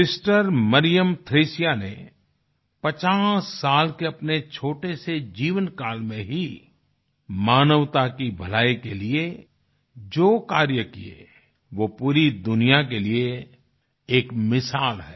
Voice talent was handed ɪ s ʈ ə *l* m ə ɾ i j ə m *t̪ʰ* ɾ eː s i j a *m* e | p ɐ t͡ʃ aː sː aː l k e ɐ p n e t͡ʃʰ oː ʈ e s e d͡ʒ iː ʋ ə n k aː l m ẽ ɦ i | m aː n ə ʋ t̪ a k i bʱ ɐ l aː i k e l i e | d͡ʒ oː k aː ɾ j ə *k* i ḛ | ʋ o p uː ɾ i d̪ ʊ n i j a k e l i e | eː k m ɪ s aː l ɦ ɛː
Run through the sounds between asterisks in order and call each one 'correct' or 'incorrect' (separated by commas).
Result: incorrect, correct, incorrect, correct